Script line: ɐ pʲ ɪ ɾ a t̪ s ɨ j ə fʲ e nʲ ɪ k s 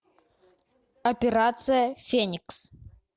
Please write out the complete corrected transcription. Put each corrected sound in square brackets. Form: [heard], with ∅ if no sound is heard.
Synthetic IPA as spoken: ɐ pʲ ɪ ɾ a t̪ s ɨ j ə fʲ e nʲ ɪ k s